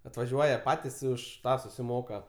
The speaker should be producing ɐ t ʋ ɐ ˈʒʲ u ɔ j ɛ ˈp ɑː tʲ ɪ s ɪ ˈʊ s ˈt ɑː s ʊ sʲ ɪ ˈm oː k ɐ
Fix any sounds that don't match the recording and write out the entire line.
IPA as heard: ɐ t ʋ ɐ ˈʒʲ u ɔ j ɛ ˈp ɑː tʲ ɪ s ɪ ˈʊ ʃ ˈt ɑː s ʊ sʲ ɪ ˈm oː k ɐ